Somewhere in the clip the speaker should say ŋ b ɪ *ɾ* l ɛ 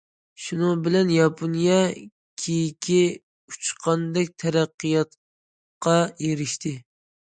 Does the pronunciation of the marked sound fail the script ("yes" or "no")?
yes